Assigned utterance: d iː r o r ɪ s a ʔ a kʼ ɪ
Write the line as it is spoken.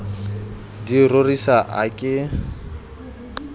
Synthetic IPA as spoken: d i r o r i s a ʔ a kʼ ɪ

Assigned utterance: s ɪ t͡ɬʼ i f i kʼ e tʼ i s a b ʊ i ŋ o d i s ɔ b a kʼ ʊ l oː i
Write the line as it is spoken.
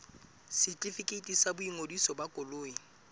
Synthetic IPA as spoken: s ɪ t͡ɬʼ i f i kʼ e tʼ i s a b ʊ i ŋ o d i s ɔ b a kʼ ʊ l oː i

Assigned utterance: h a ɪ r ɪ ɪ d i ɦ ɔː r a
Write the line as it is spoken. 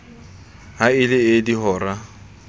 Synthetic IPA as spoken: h a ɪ l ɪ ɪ d i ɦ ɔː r a

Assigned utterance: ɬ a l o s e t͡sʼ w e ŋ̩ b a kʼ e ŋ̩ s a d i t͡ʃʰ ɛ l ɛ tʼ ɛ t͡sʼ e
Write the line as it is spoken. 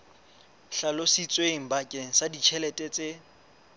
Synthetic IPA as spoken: ɬ a l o s i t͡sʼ w e ŋ̩ b a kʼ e ŋ̩ s a d i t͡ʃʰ ɛ l ɛ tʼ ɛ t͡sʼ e

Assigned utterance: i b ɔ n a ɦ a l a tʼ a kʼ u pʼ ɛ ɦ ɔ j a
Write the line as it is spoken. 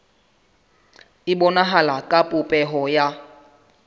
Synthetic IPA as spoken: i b ɔ n a ɦ a l a kʼ a pʼ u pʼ ɛ ɦ ɔ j a

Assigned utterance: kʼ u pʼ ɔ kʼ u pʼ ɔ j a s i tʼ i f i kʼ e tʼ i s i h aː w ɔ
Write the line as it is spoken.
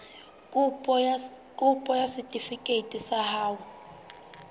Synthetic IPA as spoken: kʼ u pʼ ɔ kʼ u pʼ ɔ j a s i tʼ i f i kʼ e tʼ i s a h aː w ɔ

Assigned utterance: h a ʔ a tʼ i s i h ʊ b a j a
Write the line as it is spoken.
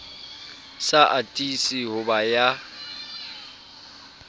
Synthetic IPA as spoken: s a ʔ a tʼ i s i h ʊ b a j a

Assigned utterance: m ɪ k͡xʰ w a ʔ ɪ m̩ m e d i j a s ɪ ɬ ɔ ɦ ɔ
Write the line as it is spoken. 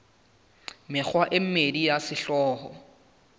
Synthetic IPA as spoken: m ɪ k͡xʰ w a ʔ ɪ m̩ m e d i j a s ɪ ɬ ɔː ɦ ɔ

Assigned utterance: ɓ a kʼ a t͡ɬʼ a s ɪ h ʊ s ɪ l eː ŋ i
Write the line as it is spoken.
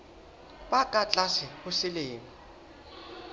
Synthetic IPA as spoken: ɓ a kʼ a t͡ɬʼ a s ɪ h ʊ s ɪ l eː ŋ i

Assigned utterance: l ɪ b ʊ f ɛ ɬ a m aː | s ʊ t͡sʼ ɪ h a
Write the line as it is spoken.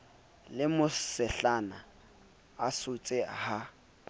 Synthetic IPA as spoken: l ɪ m ʊ s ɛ ɬ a n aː | s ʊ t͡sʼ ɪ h a

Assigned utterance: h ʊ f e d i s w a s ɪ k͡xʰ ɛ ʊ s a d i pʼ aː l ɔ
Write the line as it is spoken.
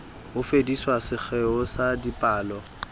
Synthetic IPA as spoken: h ʊ f e d i s w a s ɪ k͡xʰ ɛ ʊ s a d i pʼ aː l ɔ

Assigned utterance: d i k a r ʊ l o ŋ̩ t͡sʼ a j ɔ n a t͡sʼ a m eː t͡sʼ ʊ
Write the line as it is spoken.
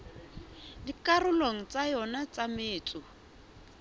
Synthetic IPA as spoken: d i k a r ʊ l o ŋ̩ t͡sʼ a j ɔ n a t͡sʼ a m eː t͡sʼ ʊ

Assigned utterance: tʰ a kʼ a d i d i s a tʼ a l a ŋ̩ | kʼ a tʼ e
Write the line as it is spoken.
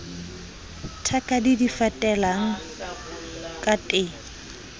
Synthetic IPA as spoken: tʰ a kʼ a d i d i f a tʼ ɛ l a ŋ̩ | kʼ a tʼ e

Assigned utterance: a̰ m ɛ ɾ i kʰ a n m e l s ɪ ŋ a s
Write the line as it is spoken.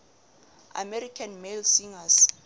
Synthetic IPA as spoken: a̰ m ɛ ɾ i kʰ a n m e l s i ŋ a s

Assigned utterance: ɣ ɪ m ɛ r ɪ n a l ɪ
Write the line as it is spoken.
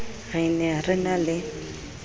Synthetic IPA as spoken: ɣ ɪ n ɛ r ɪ n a l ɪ

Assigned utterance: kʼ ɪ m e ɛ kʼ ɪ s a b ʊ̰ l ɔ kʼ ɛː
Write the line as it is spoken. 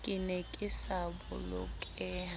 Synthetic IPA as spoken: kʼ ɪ n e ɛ kʼ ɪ s a b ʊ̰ l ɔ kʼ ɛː

